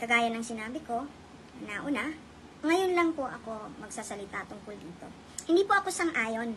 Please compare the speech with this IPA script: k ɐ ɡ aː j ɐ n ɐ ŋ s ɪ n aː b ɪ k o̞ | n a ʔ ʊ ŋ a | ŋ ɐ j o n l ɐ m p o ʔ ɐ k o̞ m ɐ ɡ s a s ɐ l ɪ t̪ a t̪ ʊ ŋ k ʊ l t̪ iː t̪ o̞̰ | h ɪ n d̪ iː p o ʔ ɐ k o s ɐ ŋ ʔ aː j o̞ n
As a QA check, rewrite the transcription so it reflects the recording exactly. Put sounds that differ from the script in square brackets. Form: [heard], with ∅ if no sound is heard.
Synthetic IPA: k ɐ ɡ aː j ɐ n ɐ ŋ s ɪ n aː b ɪ k o̞ | n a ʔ ʊ [n] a | ŋ ɐ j o n l ɐ [ŋ] p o ʔ ɐ k o̞ m ɐ ɡ s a s ɐ l ɪ t̪ a t̪ ʊ ŋ k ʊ l [d̪] iː t̪ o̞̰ | h ɪ n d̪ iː p o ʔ ɐ k o s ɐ ŋ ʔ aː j o̞ n